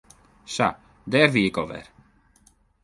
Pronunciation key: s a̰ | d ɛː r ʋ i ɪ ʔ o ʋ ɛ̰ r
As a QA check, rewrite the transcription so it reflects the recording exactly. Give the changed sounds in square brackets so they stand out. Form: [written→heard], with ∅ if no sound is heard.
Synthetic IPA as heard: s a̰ | d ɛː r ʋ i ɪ [ʔ→k] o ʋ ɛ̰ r